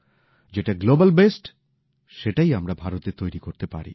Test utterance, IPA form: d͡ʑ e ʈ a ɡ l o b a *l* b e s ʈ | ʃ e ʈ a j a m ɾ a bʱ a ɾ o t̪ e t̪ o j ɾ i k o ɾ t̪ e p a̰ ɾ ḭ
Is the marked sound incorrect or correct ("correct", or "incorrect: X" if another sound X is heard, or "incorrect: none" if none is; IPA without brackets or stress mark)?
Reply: correct